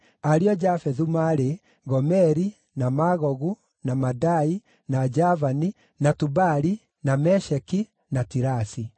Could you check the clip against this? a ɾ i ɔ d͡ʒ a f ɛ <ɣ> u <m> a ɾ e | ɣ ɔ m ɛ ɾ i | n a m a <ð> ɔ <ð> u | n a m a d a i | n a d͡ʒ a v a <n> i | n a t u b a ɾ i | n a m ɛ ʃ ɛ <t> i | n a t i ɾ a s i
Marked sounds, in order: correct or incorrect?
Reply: incorrect: ð, correct, incorrect: ɣ, incorrect: ɣ, correct, incorrect: k

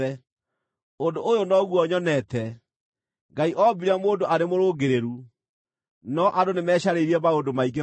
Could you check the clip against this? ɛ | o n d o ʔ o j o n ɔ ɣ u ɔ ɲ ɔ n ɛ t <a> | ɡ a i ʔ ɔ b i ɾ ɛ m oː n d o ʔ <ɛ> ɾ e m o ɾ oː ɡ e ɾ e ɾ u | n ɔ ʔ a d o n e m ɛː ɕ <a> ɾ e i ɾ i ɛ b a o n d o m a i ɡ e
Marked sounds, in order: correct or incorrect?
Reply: incorrect: ɛ, incorrect: a, correct

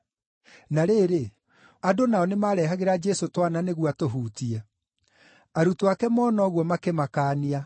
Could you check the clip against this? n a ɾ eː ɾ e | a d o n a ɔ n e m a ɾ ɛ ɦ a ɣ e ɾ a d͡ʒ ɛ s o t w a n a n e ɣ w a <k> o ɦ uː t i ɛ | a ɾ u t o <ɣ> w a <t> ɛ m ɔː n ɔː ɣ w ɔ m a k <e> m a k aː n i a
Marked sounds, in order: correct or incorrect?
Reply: incorrect: t, incorrect: none, incorrect: k, correct

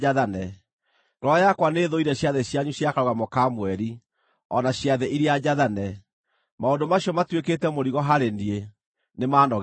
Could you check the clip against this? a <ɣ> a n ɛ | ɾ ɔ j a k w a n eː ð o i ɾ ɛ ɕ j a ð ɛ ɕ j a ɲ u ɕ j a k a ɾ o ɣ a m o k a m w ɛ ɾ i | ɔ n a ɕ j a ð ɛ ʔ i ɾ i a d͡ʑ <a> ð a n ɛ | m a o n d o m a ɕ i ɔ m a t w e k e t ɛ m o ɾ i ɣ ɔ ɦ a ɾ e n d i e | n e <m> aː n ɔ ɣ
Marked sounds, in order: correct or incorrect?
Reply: incorrect: ð, correct, correct

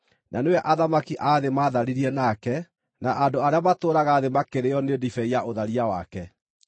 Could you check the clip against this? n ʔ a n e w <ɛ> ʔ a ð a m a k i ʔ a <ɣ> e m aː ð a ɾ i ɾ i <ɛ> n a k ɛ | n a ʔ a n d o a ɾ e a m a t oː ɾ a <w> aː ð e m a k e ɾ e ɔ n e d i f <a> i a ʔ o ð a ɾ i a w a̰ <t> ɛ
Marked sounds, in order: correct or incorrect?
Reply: correct, incorrect: ð, correct, incorrect: ɣ, incorrect: ɛ, incorrect: k

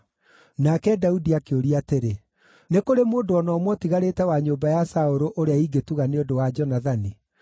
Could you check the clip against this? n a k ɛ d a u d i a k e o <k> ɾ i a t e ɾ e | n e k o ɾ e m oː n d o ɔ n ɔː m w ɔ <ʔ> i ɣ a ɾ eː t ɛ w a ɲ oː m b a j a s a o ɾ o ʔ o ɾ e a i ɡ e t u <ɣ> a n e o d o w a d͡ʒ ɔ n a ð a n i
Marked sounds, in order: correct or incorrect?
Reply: incorrect: none, incorrect: t, correct

